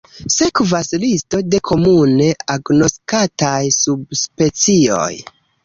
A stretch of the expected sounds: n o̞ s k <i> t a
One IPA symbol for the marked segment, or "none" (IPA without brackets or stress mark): a